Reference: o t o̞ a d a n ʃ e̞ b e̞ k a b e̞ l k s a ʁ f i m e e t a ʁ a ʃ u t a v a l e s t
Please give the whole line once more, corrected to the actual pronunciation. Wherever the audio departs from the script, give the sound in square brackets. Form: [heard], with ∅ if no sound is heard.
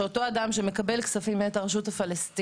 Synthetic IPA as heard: o t o̞ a d a [m] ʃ e̞ [m] e̞ k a b e̞ l k s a [∅] f i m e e t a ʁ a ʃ u t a [f] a l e s t